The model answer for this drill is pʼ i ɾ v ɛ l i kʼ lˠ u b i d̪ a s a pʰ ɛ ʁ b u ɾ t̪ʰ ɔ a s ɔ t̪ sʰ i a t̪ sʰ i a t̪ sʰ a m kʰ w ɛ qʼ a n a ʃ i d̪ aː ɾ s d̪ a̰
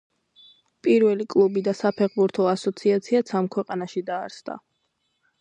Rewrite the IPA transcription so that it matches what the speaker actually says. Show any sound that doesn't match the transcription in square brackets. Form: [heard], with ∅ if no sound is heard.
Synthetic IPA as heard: pʼ i ɾ v ɛ l i kʼ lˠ u b i d̪ a s a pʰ ɛ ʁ b u ɾ t̪ʰ ɔ a s ɔ t̪ sʰ i a t̪ sʰ i a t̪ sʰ a m kʰ w ɛ qʼ a n a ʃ i d̪ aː ɾ s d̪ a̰